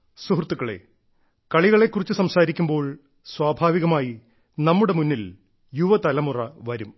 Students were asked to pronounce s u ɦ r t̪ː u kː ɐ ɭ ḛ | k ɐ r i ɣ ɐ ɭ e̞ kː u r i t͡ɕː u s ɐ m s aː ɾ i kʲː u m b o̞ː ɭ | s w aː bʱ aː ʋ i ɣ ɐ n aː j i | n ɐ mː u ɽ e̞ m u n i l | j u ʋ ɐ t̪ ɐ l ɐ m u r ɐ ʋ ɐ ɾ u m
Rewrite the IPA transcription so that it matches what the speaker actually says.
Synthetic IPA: s u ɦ r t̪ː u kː ɐ ɭ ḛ | k ɐ ɭ i ɣ ɐ ɭ e̞ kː u r i t͡ɕː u s ɐ m s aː ɾ i kʲː u m b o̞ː ɭ | s w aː bʱ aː ʋ i ɣ ɐ m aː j i | n ɐ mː u ɽ e̞ m u nː i l | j u ʋ ɐ t̪ ɐ l ɐ m u r ɐ ʋ ɐ ɾ u m